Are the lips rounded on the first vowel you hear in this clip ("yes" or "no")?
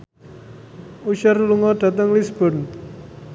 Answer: yes